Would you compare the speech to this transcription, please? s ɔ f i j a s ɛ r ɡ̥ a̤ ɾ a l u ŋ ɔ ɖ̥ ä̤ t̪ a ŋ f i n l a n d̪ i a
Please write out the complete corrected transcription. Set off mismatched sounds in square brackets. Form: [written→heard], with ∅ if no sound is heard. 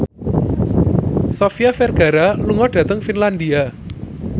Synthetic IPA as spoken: s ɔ f i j a [s→f] ɛ r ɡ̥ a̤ ɾ a l u ŋ ɔ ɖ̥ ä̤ t̪ [a→ə] ŋ f i n l a n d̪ i a